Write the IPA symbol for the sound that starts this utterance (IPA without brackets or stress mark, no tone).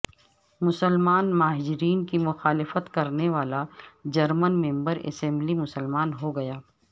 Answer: m